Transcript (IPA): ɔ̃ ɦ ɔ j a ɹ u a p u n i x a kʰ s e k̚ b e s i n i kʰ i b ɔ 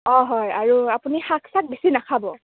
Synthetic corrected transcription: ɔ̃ ɦ ɔ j a ɹ u a p u n i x a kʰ s a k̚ b e s i n a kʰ a b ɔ